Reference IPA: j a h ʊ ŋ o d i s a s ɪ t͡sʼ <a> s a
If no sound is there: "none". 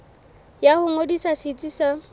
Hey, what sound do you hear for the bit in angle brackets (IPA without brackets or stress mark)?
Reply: i